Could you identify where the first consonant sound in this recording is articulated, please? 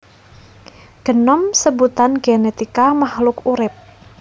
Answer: velar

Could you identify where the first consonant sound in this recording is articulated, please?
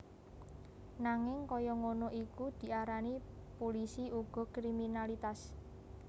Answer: alveolar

